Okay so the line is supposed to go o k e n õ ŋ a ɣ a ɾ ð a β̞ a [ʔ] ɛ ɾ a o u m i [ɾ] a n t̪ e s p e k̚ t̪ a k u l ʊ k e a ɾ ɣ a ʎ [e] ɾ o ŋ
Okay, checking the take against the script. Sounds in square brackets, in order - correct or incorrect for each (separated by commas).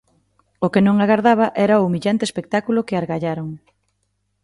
correct, incorrect, incorrect